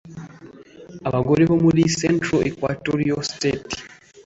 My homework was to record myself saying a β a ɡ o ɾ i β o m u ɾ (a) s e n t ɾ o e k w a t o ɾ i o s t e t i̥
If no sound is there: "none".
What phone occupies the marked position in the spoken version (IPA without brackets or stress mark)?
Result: i